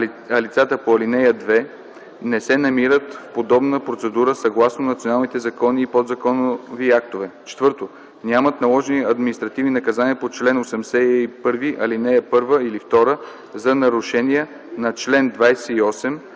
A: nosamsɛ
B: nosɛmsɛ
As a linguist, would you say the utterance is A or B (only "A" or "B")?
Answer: B